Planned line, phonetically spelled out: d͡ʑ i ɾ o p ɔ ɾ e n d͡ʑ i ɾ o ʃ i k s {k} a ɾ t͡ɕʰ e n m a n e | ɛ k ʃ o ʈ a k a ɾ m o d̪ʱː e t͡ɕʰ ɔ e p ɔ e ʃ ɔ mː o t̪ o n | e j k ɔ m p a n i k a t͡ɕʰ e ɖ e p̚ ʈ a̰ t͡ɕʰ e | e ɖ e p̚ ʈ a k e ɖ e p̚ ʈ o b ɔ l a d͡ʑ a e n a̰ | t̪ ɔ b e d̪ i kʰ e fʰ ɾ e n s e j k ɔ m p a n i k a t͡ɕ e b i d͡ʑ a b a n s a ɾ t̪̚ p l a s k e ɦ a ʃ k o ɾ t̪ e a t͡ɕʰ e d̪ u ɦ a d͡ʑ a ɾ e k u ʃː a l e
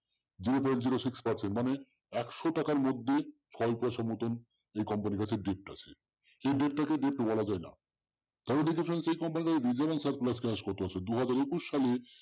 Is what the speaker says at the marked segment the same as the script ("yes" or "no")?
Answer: no